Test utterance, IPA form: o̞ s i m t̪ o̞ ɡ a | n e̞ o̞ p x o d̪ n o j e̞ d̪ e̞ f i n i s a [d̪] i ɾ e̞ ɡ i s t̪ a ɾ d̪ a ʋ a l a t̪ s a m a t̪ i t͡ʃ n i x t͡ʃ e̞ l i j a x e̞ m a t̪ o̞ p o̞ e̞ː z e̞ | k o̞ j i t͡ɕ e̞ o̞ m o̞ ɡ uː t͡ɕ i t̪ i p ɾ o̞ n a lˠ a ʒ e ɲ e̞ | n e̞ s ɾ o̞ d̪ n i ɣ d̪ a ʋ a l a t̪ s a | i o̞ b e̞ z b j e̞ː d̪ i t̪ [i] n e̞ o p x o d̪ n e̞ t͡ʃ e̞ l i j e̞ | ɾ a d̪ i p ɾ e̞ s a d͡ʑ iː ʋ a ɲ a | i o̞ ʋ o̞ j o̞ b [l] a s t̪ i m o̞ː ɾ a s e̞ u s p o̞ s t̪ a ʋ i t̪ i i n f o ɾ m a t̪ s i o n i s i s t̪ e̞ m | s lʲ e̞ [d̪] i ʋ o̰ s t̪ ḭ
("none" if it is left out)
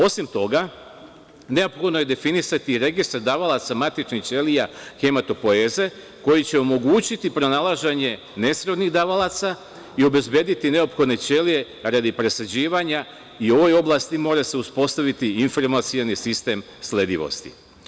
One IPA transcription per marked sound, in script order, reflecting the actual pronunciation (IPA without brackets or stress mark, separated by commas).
t̪, i, l, d̪